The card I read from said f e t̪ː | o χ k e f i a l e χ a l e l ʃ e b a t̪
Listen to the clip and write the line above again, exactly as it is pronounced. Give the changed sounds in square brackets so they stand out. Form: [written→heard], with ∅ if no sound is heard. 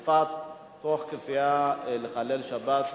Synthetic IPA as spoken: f [e→a] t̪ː | o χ k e f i a l e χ a l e l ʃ [e→a] b a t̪

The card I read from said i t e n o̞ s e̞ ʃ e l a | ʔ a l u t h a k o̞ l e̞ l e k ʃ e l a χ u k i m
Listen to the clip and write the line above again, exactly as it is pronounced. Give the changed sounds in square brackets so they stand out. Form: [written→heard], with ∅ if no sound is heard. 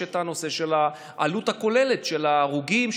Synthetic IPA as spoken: [i→e] t [e→a] n o̞ s e̞ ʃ e l a | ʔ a l u t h a k o̞ l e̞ l e [k→t] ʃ e l a [χ→ʁ] u [k→ɡ] i m

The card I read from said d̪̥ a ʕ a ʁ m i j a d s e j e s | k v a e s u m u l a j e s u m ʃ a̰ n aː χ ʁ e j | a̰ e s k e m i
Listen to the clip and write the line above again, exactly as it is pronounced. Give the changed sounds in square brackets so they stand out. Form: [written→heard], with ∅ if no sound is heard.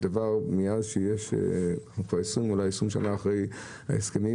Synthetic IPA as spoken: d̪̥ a [ʕ→v] a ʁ m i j a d [s→ʃ] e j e [s→ʃ] | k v a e s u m u l a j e s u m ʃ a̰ n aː χ ʁ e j | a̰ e s k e m i

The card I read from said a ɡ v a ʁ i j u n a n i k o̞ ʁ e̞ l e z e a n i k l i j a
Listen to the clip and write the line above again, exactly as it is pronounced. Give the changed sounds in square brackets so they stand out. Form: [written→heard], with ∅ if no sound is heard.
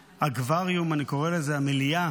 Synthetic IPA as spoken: a ɡ v a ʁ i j u [n→m] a n i k o̞ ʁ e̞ l e z e a [n→m] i [k→∅] l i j a

